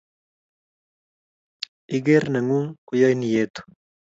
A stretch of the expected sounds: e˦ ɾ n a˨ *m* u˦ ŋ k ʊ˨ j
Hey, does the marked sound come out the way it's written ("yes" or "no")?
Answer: no